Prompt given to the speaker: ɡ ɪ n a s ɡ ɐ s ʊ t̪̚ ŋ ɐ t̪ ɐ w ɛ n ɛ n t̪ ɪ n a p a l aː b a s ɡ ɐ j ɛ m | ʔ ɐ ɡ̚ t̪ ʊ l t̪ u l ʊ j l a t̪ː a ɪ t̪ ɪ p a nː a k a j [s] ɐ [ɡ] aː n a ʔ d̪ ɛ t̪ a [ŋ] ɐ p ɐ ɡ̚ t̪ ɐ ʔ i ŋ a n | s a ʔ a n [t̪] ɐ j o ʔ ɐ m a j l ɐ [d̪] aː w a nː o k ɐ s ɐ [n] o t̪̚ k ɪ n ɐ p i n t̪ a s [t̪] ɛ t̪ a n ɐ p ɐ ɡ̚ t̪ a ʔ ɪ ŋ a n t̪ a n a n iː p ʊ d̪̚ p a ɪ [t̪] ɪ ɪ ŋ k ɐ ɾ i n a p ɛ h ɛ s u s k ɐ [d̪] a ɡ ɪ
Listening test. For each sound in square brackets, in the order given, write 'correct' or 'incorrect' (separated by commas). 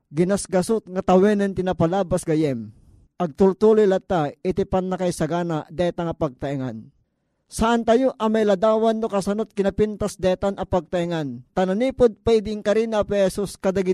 correct, correct, correct, correct, correct, correct, incorrect, incorrect, correct